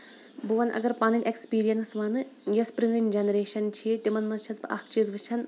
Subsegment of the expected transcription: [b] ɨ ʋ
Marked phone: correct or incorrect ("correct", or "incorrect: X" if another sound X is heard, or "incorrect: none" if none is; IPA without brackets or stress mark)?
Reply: correct